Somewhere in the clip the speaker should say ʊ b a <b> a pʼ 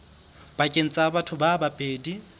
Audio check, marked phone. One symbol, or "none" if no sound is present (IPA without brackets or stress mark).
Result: b